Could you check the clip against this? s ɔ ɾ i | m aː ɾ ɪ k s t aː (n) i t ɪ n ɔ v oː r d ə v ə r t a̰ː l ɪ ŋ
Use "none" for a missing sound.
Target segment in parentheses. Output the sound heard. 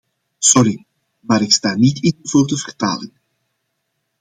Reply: n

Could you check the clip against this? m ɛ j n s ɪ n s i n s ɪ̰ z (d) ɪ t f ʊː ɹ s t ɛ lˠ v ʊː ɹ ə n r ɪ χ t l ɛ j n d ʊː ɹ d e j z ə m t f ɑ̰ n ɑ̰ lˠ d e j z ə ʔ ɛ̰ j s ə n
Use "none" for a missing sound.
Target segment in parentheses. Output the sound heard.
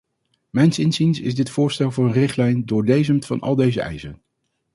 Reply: d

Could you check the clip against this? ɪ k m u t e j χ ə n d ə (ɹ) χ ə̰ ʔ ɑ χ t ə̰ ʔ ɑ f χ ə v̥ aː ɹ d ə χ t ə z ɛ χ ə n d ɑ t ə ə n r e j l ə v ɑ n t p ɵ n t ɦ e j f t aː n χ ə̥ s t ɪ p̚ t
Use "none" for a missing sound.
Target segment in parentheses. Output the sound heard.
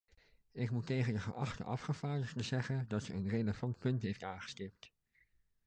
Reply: none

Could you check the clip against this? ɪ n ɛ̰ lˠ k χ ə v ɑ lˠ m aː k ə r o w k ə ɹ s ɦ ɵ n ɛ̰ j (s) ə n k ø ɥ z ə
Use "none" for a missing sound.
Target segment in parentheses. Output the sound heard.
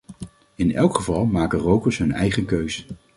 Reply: χ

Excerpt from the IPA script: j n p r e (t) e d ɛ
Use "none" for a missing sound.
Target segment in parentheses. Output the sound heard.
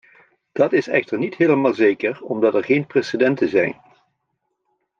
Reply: s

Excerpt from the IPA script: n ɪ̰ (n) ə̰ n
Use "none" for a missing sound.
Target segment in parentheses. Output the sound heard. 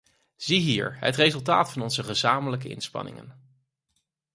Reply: ŋ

